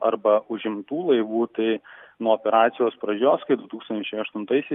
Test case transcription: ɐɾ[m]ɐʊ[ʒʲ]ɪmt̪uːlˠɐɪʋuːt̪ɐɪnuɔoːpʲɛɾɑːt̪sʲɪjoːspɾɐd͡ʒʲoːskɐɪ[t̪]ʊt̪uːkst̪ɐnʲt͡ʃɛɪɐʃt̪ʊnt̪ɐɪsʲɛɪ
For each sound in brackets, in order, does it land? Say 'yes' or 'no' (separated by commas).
no, yes, no